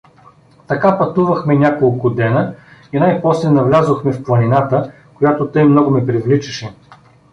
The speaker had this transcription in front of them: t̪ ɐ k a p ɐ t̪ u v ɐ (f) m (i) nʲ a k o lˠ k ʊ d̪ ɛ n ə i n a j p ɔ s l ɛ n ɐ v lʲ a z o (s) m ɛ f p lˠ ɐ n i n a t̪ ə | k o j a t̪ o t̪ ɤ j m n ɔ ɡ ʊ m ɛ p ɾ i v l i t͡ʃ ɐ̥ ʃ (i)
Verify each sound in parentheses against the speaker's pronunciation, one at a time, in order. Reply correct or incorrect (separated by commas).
incorrect, incorrect, incorrect, incorrect